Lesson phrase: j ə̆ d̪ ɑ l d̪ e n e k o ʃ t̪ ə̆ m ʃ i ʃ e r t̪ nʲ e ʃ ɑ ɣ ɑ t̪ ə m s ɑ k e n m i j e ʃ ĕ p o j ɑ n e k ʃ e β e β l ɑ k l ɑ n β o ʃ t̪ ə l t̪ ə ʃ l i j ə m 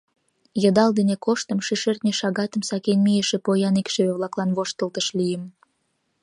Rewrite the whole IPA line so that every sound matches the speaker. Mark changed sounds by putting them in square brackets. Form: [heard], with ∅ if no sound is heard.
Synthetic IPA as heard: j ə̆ d̪ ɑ l d̪ e n e k o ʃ t̪ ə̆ m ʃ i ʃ e r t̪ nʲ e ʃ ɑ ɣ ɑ t̪ ə m s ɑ k e n m i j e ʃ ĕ p o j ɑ n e k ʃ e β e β l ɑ k l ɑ n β o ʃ t̪ ə l t̪ ə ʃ l i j ə m

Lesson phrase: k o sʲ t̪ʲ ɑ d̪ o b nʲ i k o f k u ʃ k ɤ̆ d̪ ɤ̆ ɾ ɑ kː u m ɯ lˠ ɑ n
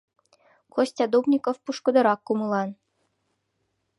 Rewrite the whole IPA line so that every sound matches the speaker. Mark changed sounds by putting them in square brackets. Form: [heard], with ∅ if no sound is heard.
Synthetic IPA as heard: k o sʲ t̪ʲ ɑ d̪ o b nʲ i k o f [p] u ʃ k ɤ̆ d̪ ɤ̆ ɾ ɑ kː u m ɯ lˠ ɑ n

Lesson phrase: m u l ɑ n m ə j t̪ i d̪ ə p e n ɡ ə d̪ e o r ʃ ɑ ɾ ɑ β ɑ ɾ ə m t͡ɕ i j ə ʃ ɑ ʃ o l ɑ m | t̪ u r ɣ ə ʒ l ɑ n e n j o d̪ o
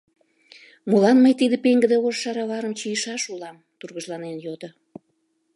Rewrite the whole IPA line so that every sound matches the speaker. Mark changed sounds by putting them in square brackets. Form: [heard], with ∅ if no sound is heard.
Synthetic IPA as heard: m u l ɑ n m ə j t̪ i d̪ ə p e [ŋ] ɡ ə d̪ e o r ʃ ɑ ɾ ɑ β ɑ ɾ ə m t͡ɕ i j ə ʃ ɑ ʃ [u] l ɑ m | t̪ u r ɣ ə ʒ l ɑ n e n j o d̪ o

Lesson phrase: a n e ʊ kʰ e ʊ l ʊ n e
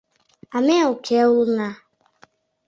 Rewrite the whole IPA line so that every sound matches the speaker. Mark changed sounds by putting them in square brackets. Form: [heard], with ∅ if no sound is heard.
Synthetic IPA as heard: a [m] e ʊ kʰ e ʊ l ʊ n [a]

